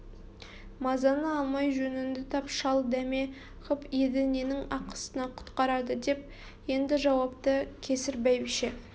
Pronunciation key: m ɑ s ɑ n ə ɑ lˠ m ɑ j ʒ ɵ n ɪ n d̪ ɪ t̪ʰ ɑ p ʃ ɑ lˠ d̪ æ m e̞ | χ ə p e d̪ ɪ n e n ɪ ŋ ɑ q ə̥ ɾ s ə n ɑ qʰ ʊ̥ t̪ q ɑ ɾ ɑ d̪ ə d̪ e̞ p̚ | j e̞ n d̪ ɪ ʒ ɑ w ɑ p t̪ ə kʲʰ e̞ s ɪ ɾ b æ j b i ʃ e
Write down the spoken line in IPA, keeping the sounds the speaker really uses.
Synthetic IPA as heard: m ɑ z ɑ n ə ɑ lˠ m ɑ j ʒ ɵ n ɪ n d̪ ɪ t̪ʰ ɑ p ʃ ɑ lˠ d̪ æ m e̞ | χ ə p e d̪ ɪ n e n ɪ ŋ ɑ q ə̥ s ə n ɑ qʰ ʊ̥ t̪ q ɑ ɾ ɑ d̪ ə d̪ e̞ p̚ | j e̞ n d̪ ɪ ʒ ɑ w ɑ p t̪ ə kʲʰ e̞ s ɪ ɾ b æ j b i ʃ e